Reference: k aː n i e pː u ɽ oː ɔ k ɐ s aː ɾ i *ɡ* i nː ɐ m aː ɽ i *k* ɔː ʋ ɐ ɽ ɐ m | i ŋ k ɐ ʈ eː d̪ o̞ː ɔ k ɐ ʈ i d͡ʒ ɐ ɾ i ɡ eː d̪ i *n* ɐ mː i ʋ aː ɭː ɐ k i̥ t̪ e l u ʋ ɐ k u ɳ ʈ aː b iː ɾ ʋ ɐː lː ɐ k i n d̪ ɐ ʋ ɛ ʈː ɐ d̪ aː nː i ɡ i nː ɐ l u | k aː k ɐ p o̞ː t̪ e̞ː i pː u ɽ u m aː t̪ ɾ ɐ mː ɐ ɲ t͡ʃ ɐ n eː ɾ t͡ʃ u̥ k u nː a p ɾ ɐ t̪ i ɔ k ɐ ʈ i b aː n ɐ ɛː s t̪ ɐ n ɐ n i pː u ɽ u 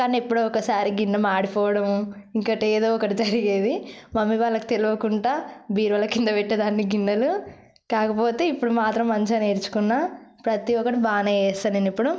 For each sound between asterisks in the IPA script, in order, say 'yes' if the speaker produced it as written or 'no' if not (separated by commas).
yes, no, no